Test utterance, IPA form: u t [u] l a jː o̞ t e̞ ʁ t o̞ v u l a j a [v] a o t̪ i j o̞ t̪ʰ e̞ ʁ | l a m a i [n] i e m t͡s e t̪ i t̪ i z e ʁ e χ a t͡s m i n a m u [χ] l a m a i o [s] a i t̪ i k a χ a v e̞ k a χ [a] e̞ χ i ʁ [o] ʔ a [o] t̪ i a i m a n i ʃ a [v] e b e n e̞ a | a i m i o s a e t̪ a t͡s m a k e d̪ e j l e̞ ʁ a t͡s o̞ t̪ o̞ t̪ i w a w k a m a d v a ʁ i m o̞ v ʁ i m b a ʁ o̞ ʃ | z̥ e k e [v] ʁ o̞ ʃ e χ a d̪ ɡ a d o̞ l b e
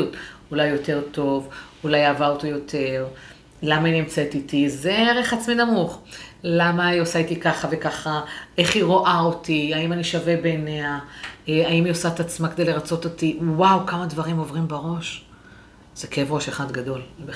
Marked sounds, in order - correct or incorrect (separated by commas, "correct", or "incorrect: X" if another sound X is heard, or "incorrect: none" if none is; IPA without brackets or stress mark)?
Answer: correct, correct, correct, correct, correct, correct, correct, correct, correct, correct